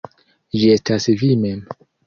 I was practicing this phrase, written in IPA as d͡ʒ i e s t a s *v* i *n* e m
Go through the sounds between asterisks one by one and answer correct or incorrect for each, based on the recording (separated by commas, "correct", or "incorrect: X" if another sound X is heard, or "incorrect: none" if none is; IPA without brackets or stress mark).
correct, incorrect: m